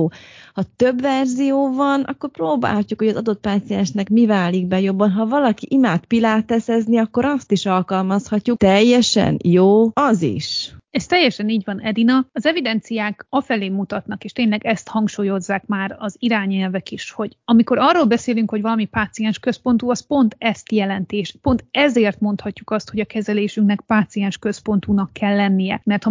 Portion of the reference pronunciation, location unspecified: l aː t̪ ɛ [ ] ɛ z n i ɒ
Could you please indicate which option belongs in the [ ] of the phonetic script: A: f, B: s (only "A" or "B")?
B